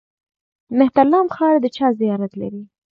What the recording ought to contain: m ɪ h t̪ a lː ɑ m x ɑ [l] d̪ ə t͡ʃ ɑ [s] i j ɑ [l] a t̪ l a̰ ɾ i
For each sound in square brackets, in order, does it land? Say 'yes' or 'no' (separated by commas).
no, no, no